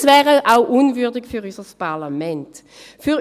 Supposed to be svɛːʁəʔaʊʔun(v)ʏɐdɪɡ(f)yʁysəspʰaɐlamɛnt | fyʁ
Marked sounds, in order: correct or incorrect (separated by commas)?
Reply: correct, correct